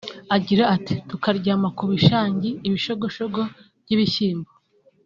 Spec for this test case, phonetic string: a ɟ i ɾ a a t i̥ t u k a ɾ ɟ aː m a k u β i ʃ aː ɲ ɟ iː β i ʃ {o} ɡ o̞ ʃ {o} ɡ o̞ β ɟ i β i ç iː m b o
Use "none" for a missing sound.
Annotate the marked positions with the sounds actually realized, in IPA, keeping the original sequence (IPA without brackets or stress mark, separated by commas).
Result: o, o